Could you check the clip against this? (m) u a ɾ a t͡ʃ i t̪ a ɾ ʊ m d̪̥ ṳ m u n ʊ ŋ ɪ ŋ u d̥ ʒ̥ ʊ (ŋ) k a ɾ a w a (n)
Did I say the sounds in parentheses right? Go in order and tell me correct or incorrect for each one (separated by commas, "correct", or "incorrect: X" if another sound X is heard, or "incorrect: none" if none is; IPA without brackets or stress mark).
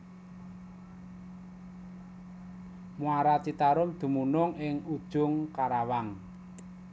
correct, correct, incorrect: ŋ